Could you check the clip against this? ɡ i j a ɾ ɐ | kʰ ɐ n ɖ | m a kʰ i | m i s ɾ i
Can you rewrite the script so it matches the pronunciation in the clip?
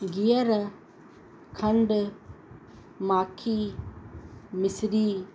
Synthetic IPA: ɡ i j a ɾ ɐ | kʰ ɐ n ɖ | m a kʰ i | m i s ɾ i